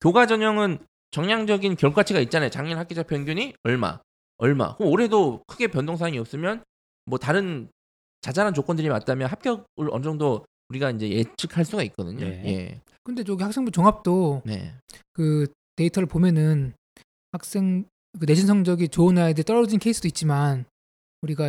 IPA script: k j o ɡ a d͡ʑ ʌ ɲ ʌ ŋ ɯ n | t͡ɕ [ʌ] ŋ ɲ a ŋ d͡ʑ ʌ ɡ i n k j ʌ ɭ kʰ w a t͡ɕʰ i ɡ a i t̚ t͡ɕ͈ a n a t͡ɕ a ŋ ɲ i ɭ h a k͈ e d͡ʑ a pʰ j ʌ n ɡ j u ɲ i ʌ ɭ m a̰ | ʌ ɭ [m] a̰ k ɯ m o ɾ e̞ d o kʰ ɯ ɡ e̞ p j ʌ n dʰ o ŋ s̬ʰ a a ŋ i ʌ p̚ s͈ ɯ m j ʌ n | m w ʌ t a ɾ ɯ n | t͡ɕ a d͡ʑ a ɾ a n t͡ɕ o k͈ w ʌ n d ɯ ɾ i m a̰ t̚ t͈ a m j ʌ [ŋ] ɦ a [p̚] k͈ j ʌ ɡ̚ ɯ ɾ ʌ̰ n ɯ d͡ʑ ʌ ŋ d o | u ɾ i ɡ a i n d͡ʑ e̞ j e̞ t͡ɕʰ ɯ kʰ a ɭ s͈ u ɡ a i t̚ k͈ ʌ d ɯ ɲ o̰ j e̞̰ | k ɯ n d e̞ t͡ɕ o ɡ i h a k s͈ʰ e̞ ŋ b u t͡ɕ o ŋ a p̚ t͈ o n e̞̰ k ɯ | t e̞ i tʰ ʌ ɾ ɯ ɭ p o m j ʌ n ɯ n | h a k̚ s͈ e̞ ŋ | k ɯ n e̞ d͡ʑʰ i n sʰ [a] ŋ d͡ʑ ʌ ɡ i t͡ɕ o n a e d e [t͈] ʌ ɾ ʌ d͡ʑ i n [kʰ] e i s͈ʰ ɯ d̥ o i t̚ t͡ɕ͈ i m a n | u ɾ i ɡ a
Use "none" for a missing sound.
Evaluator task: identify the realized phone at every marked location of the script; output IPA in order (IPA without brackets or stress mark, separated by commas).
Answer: ʌ, m, n, p̚, ʌ, t͈, kʰ